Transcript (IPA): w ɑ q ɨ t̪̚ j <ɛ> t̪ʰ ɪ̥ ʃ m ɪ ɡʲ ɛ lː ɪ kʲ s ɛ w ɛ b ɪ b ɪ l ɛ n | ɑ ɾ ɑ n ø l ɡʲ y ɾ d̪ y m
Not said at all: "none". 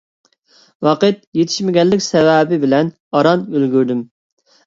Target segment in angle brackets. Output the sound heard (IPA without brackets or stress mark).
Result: e